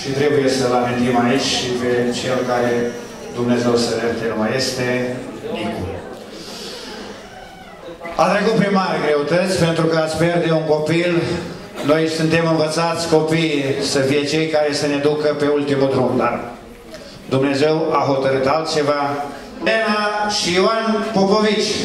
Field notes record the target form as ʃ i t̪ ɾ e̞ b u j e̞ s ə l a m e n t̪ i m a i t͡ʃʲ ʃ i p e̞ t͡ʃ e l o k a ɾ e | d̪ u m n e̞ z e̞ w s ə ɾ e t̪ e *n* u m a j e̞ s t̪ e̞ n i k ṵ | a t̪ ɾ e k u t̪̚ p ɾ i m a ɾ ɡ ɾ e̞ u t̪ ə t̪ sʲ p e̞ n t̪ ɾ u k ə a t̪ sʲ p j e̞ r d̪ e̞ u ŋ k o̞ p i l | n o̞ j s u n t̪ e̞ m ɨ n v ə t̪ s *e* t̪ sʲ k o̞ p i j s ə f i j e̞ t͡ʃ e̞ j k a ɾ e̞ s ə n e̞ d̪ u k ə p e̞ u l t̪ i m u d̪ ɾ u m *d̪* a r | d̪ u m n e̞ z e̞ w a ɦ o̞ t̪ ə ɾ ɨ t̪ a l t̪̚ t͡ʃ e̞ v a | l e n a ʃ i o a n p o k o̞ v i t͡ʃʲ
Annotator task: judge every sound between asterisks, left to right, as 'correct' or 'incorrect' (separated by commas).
correct, incorrect, correct